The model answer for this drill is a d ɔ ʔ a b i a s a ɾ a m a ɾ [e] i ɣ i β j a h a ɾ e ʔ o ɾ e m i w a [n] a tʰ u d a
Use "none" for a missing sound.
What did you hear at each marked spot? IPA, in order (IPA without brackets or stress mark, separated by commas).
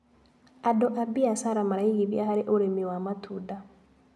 a, m